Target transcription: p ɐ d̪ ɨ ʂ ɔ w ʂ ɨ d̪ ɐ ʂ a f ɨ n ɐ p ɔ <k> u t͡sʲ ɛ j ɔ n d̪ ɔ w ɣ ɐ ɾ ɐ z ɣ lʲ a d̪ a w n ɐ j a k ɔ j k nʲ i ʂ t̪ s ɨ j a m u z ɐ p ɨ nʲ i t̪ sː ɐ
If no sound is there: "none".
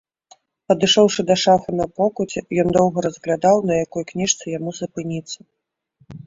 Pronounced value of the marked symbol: k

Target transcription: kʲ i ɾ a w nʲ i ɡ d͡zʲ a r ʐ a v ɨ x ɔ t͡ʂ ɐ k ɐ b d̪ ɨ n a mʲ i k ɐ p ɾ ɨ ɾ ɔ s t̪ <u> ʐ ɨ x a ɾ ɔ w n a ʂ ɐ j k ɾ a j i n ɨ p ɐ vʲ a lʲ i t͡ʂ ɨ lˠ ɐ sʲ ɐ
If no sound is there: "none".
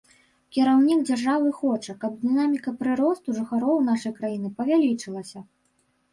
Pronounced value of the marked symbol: u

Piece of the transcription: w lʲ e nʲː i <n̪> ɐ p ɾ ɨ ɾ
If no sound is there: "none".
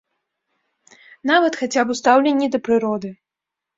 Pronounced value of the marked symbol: d̪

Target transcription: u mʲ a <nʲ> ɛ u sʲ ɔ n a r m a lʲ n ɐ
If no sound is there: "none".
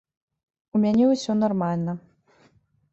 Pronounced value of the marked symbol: nʲ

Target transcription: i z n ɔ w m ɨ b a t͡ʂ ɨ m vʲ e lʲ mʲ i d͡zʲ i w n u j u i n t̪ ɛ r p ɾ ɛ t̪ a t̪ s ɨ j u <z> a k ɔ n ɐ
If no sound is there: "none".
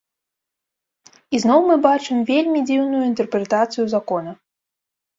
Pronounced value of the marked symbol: z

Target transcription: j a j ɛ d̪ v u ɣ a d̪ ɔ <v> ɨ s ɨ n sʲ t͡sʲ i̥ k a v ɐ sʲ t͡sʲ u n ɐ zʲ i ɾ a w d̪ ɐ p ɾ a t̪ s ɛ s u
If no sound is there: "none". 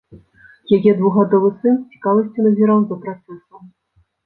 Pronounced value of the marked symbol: v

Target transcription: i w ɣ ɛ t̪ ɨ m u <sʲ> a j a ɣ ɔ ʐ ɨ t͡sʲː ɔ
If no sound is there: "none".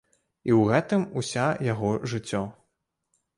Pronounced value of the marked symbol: sʲ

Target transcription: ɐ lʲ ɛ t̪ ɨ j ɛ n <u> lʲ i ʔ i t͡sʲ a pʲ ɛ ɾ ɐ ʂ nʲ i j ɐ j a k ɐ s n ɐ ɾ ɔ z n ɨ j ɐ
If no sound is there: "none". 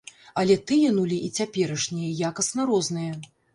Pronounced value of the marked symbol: u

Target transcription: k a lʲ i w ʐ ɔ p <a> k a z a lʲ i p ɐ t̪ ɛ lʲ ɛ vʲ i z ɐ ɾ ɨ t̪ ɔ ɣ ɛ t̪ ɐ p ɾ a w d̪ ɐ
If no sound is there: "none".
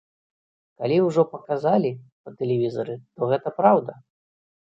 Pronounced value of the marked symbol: ɐ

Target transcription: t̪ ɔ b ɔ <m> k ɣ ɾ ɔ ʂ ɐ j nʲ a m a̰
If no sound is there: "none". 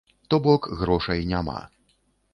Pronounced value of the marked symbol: none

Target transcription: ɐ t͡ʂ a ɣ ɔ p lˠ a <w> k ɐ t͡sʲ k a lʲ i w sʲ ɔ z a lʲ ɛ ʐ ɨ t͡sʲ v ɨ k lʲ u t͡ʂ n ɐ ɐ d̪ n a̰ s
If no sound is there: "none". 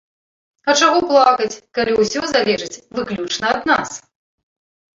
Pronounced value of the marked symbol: none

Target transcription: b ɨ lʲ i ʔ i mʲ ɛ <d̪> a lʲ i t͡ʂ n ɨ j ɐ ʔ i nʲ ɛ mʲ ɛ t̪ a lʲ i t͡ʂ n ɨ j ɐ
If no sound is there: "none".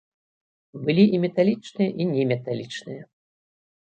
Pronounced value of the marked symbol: t̪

